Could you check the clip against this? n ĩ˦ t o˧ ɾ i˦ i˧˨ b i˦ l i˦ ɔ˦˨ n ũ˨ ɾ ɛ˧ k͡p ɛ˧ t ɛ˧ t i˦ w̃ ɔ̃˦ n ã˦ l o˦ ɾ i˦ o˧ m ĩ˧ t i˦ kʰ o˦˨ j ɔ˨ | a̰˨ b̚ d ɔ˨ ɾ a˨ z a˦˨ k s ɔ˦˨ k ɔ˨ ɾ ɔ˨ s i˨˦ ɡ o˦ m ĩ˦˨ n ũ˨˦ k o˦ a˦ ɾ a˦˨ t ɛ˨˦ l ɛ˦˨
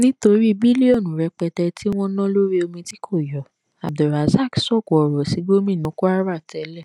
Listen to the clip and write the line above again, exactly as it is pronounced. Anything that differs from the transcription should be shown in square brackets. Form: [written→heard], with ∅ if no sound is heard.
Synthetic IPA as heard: n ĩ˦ t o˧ ɾ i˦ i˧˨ b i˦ l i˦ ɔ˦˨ n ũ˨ ɾ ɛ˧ k͡p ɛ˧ t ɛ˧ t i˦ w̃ ɔ̃˦ n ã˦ l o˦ ɾ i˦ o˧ m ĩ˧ t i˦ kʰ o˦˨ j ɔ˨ | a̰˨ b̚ d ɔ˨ ɾ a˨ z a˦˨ k s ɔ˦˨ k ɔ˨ ɾ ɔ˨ s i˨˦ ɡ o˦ m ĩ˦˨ n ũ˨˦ k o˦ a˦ ɾ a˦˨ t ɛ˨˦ l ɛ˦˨